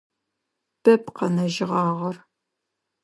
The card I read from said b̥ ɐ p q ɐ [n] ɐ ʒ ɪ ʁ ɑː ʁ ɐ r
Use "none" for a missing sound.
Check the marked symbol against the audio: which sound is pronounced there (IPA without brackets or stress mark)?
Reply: n